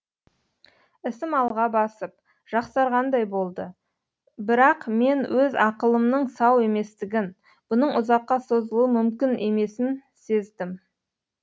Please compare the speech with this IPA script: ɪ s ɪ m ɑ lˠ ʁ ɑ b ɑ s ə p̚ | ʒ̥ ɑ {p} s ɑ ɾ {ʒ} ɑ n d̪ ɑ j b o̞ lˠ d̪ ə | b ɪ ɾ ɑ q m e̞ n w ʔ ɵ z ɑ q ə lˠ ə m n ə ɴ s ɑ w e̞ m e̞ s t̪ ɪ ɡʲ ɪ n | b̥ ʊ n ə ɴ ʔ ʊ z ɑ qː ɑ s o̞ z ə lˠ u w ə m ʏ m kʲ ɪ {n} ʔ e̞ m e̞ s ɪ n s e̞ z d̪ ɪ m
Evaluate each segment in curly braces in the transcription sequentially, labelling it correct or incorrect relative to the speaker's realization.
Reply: incorrect: q, incorrect: ʁ, correct

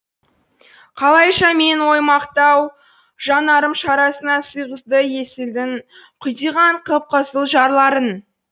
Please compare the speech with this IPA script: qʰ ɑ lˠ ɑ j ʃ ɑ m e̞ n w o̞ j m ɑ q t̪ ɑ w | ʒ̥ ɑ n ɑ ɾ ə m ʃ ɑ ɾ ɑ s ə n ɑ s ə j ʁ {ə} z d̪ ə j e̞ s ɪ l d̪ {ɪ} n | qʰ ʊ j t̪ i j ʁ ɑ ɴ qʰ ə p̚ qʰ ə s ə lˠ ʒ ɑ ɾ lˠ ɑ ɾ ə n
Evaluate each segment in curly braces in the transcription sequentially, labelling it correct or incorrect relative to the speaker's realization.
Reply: correct, correct

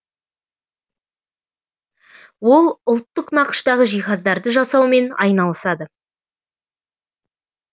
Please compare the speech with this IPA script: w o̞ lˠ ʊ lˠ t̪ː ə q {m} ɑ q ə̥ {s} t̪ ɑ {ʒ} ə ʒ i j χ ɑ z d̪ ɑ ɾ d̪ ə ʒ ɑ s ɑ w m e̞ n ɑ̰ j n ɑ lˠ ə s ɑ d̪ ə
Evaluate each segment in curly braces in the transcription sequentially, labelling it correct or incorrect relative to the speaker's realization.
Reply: incorrect: n, incorrect: ʃ, incorrect: ʁ

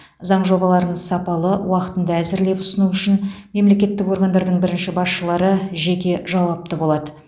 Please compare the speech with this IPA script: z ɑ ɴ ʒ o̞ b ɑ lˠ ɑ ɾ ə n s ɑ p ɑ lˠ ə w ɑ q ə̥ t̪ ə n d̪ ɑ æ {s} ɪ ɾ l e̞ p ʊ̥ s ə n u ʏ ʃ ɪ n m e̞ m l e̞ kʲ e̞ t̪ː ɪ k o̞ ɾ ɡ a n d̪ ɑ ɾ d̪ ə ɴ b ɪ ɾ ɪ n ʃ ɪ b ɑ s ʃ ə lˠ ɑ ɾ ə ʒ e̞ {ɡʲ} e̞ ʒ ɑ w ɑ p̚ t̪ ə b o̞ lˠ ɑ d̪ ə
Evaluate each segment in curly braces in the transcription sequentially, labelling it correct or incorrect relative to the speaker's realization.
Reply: incorrect: z, incorrect: kʲ

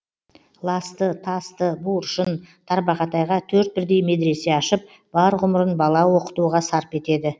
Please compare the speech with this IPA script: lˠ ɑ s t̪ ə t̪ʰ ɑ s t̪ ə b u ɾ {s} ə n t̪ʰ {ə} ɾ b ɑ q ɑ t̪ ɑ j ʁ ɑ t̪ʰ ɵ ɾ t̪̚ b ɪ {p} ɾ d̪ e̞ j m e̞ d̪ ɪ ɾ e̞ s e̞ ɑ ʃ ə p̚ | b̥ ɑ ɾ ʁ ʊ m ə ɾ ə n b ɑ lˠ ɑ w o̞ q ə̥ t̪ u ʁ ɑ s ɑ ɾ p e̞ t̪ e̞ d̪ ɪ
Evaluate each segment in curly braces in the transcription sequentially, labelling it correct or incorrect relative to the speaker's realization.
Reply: incorrect: ʃ, incorrect: ɑ, incorrect: none

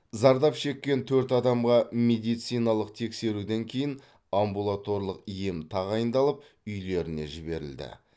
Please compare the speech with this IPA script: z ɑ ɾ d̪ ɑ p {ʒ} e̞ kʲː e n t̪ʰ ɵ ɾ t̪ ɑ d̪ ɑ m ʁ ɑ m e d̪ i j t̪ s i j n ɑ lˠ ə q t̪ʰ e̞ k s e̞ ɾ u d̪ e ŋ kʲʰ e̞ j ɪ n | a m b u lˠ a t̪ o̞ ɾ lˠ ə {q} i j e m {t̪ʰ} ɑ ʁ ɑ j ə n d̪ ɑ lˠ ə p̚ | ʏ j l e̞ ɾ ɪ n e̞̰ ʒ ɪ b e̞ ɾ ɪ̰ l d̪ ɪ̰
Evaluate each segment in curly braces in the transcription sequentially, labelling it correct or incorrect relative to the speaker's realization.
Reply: incorrect: ʃ, correct, correct

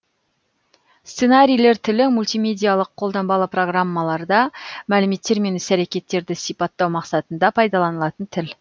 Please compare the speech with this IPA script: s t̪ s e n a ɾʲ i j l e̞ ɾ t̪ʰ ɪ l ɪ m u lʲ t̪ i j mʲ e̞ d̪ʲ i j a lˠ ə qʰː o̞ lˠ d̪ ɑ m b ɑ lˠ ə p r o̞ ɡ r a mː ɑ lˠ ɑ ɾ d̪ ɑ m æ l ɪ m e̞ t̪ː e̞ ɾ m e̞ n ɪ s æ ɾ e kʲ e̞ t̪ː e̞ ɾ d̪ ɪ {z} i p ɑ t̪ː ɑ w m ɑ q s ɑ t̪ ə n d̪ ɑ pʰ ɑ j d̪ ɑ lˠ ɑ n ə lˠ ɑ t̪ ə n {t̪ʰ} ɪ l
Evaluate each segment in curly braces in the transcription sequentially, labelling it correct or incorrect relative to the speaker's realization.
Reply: incorrect: s, correct

